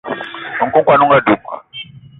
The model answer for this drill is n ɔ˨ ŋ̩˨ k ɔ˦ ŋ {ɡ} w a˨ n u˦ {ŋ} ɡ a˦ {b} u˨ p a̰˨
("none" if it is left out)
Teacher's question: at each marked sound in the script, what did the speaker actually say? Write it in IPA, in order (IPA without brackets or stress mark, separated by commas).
k, ŋ, d